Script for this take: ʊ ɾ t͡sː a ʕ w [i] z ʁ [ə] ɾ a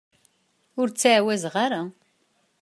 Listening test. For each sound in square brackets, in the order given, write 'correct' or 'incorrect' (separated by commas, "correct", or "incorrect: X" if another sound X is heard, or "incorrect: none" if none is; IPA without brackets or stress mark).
incorrect: æ, incorrect: a